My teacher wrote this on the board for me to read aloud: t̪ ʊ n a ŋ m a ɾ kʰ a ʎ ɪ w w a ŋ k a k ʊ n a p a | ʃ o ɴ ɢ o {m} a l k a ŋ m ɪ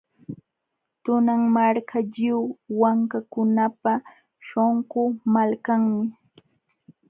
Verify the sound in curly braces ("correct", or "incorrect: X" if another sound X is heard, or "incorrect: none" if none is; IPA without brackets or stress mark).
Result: correct